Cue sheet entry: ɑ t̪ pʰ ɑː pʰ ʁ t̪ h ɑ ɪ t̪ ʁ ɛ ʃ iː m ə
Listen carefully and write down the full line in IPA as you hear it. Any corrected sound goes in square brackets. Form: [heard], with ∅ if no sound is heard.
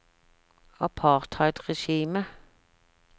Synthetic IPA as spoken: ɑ [∅] pʰ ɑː [∅] ʁ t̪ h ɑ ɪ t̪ ʁ ɛ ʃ iː m ə